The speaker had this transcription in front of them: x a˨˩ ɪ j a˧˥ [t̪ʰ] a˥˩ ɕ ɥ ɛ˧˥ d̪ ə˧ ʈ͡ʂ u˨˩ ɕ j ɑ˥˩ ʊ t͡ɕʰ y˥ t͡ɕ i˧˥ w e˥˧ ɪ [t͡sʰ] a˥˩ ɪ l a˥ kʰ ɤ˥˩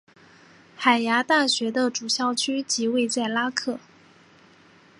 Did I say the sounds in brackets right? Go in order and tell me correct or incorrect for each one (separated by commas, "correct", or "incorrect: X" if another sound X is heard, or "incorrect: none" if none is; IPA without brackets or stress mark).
incorrect: t̪, incorrect: t͡s